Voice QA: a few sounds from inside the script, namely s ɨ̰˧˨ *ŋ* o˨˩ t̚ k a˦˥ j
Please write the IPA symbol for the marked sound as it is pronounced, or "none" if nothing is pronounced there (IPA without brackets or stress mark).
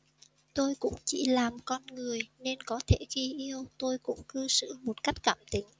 m